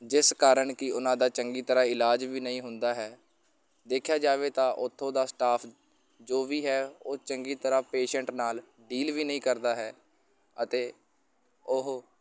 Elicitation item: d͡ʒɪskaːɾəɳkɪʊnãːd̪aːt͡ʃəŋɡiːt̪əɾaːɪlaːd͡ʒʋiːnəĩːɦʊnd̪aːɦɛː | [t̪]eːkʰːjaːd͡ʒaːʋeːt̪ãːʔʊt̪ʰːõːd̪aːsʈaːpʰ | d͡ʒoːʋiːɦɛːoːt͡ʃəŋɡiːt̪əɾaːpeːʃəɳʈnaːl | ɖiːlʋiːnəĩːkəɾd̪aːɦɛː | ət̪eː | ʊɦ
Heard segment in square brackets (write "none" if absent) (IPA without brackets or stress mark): d̪